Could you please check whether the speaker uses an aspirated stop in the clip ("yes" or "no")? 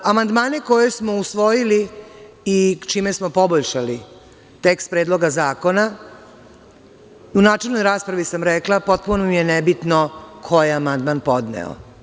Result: yes